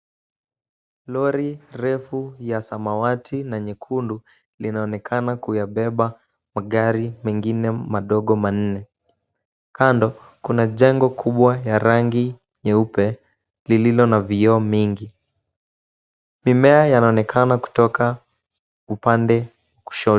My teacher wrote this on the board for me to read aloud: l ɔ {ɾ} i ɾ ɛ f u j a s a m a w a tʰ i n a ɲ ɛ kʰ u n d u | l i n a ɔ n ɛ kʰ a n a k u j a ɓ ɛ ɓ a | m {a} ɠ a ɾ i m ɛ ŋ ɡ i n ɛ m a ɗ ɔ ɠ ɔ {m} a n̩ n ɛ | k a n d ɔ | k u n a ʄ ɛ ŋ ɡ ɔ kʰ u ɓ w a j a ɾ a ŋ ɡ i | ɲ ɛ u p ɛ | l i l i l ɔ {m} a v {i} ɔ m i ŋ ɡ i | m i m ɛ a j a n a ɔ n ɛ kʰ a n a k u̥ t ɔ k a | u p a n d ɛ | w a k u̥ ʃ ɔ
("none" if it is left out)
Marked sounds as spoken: ɾ, a, m, n, i

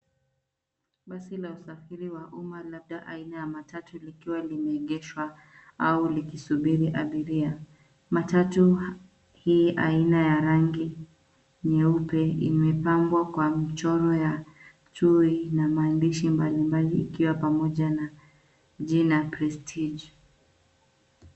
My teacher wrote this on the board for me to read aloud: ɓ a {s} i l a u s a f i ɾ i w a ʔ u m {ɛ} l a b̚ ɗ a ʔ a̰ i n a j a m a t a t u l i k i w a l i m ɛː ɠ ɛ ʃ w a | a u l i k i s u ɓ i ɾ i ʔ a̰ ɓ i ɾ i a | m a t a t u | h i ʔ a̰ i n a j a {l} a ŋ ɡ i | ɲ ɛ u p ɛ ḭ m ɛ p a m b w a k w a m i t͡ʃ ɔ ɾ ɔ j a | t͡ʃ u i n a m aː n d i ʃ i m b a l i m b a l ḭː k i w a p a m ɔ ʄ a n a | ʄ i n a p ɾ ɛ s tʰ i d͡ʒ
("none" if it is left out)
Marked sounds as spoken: s, a, ɾ

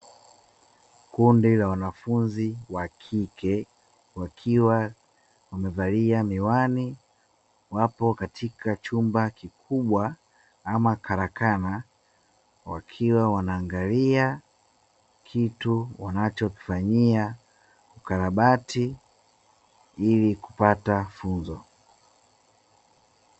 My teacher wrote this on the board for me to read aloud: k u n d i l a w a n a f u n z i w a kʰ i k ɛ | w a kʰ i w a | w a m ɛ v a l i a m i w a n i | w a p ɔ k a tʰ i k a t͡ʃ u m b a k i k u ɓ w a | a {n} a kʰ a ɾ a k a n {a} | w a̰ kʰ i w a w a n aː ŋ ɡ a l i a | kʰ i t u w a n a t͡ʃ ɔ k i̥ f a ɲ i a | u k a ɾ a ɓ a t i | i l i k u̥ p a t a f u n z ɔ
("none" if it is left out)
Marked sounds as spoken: m, a

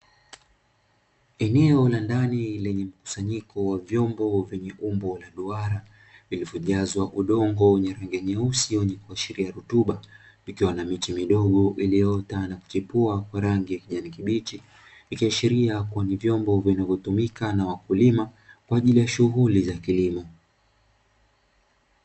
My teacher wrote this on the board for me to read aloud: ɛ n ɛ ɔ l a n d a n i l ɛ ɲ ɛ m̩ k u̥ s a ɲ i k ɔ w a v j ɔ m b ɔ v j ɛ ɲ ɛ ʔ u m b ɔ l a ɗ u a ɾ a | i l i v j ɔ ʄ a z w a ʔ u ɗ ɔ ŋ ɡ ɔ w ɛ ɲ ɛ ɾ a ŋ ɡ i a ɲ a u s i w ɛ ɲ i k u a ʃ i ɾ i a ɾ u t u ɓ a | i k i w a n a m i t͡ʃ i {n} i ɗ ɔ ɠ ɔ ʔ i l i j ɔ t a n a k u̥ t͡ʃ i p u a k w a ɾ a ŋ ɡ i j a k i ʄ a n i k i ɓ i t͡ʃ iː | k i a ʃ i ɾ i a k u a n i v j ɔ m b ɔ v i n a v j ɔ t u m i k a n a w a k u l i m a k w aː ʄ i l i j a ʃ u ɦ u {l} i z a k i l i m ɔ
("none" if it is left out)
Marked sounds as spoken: m, l

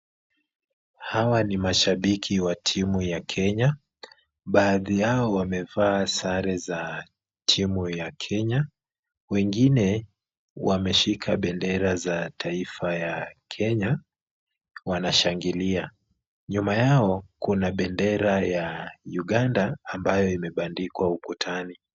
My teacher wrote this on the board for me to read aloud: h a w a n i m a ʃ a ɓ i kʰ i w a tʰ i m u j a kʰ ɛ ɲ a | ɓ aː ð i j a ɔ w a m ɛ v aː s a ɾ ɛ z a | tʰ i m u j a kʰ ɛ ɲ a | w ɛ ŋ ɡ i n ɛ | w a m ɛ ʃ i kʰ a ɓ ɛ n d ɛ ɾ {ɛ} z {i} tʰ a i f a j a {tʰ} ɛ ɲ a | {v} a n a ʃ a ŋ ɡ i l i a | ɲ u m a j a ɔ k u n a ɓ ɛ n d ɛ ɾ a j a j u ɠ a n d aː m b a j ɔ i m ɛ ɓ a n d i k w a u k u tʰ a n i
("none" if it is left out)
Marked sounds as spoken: a, a, kʰ, w

